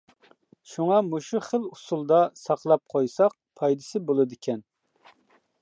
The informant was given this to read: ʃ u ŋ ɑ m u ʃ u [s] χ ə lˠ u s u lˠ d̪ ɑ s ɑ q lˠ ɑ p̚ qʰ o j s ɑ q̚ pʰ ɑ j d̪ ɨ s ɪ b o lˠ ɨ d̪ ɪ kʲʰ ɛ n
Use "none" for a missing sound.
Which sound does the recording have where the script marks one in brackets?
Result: none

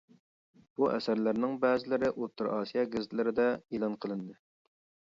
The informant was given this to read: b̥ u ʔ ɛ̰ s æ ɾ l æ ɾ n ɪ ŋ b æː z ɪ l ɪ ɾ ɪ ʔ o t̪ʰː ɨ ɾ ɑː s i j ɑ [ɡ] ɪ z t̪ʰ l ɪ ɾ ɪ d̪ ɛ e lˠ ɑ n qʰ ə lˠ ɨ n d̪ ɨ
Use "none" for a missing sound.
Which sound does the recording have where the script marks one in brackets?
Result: ɡ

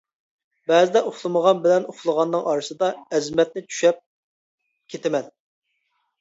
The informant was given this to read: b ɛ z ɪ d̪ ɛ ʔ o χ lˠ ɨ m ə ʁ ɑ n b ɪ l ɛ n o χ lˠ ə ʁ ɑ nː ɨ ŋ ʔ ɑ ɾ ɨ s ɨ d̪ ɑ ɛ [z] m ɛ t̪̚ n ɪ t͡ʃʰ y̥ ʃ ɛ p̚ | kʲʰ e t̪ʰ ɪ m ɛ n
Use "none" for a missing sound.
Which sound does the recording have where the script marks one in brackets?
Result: z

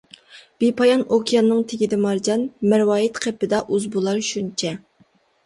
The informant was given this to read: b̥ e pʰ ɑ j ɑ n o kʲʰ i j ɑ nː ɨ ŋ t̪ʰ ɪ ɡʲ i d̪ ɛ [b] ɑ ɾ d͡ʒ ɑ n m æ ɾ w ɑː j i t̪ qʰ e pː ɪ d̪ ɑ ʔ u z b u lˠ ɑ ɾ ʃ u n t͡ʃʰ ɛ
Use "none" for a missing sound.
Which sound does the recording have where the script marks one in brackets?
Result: m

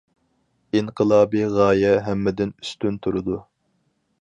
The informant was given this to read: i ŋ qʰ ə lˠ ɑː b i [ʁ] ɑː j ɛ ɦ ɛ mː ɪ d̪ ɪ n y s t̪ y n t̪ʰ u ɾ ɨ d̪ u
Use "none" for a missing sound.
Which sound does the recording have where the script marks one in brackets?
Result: ʁ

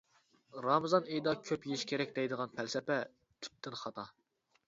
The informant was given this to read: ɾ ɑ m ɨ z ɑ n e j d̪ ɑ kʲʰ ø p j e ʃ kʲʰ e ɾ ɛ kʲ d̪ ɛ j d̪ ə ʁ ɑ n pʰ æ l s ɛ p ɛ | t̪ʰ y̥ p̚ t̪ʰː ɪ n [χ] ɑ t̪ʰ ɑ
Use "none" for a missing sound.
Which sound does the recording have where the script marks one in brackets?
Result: χ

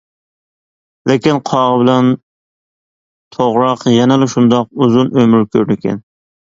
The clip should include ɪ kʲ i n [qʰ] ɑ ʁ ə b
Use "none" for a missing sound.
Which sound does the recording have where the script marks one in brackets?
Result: qʰ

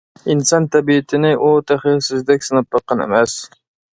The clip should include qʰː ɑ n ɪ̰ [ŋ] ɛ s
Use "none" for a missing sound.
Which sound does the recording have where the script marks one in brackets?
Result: m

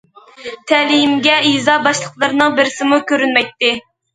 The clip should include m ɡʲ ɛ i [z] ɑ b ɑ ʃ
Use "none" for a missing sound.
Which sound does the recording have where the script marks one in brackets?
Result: z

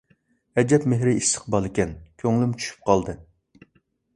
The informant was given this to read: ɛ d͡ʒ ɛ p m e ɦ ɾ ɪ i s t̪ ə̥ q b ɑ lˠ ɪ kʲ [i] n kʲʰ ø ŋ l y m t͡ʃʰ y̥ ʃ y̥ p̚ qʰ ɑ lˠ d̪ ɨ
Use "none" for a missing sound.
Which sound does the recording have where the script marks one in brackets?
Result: ɛ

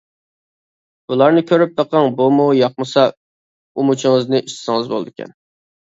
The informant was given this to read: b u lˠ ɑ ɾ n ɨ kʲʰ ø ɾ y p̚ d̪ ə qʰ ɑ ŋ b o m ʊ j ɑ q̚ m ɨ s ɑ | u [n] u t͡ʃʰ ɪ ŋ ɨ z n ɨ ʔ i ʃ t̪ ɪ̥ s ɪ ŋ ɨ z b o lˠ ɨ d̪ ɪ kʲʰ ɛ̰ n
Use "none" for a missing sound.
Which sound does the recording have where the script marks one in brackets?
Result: m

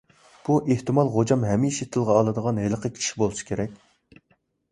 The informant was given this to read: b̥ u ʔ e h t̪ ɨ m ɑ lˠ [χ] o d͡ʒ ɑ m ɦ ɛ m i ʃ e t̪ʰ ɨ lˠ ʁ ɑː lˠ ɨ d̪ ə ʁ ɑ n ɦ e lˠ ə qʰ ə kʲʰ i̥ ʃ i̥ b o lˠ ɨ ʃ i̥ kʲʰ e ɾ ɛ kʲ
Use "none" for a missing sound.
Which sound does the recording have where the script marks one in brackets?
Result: ʁ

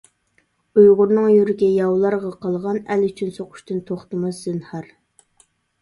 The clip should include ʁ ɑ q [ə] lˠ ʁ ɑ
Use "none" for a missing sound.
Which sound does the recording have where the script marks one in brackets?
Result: ɑ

